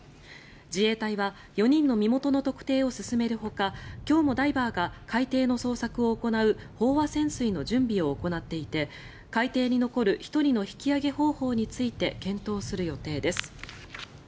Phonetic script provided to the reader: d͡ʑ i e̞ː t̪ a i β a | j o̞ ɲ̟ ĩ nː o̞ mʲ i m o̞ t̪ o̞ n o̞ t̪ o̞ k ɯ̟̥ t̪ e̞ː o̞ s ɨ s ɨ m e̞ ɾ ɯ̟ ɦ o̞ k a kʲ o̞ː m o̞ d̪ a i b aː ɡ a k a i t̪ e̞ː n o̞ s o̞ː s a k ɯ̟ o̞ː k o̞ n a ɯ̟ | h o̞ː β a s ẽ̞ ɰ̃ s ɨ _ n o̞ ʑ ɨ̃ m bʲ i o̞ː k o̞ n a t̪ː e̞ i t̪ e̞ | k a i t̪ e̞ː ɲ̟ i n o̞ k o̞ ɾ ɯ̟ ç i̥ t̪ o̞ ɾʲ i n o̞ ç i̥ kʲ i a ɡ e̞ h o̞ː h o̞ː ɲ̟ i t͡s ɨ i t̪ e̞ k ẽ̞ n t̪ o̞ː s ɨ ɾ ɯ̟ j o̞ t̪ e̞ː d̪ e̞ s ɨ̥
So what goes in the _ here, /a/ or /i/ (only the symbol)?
i